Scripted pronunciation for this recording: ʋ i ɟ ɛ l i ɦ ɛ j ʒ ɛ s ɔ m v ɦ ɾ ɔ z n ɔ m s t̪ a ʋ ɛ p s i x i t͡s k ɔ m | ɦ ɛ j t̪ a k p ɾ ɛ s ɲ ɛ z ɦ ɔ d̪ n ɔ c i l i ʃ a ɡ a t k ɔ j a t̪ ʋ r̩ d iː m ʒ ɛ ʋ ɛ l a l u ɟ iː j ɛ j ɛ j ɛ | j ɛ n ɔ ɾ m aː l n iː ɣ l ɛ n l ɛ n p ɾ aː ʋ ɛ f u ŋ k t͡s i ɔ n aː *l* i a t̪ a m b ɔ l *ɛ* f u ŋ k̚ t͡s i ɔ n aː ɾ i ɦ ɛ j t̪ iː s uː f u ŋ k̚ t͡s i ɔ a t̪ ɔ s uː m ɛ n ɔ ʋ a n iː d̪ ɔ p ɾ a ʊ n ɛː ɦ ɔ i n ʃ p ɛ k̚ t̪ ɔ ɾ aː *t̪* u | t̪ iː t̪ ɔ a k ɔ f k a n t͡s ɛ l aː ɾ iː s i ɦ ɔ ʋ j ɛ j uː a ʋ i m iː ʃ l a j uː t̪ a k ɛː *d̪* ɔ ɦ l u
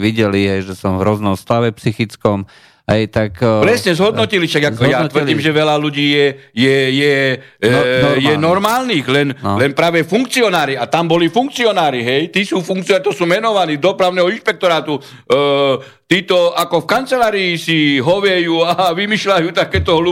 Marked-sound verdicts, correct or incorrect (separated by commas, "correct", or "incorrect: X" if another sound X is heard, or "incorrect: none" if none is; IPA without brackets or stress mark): incorrect: ɾ, incorrect: i, correct, incorrect: t̪